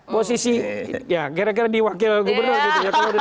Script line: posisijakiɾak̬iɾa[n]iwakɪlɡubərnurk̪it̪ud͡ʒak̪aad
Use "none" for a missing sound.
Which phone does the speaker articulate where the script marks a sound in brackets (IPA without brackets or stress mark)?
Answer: d